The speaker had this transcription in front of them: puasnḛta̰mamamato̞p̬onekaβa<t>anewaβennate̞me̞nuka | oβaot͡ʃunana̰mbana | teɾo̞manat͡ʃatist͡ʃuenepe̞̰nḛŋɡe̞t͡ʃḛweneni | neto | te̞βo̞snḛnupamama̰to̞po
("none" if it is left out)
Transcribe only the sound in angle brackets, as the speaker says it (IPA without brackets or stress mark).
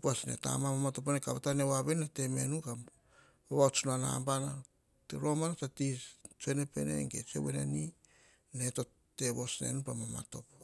t